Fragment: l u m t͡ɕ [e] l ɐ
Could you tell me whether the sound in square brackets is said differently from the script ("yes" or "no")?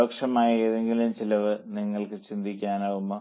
yes